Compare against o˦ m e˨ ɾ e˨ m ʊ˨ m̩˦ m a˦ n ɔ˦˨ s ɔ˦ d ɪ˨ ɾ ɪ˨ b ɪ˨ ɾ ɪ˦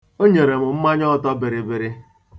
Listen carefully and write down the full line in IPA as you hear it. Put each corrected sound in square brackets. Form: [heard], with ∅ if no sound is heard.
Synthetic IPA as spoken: o˦ [ɲ] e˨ ɾ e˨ m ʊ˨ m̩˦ m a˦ [ɲ] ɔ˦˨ [t] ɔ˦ [b] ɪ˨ ɾ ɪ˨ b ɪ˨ ɾ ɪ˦